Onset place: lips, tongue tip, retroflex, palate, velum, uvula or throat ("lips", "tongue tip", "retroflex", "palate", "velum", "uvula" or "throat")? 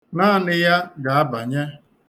tongue tip